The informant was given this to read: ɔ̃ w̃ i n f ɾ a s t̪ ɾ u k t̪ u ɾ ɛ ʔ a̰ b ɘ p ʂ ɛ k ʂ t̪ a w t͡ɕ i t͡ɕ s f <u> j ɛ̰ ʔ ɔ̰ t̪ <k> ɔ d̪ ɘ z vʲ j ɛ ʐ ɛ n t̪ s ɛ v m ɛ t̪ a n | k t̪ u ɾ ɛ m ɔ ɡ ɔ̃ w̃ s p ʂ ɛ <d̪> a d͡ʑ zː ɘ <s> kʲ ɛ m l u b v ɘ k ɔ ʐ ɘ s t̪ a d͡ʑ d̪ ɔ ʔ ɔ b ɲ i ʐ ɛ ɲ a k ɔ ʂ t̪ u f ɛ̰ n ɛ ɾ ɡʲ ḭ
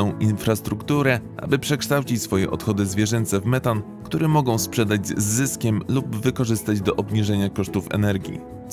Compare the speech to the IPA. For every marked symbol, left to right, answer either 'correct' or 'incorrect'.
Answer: incorrect: ɔ, incorrect: x, correct, correct

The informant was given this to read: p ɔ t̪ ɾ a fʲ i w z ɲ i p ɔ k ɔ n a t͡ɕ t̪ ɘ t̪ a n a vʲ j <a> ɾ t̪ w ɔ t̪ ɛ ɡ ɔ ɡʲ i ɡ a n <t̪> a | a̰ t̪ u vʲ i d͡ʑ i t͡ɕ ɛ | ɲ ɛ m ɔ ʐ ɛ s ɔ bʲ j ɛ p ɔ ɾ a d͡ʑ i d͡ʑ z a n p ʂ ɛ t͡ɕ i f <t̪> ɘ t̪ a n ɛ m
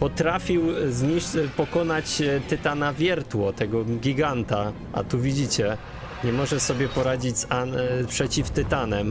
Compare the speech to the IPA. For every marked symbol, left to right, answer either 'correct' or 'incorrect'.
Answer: incorrect: ɛ, correct, correct

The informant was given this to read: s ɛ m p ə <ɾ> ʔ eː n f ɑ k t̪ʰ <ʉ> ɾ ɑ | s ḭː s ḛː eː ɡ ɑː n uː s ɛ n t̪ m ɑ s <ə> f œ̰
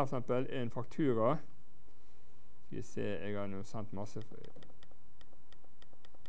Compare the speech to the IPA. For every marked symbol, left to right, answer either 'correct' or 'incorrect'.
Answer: incorrect: l, incorrect: ʉː, correct

